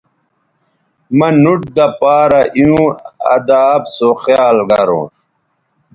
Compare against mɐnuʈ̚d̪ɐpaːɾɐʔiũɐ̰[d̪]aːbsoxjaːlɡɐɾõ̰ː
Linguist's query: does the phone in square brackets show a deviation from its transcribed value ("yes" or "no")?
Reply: no